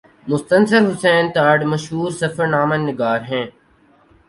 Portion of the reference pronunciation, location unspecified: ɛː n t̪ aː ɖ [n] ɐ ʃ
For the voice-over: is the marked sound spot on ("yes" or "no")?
no